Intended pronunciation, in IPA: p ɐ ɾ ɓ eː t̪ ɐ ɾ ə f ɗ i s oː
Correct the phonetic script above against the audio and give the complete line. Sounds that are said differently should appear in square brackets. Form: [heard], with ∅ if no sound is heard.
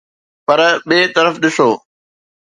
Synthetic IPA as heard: p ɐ ɾ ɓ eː t̪ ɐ ɾ ə f ɗ [ɪ] s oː